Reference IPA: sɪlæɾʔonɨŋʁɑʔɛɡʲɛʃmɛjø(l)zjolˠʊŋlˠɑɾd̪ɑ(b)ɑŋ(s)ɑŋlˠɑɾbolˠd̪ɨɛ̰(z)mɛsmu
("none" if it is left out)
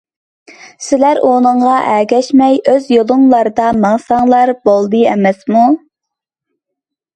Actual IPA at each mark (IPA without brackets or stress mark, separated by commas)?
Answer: none, m, s, none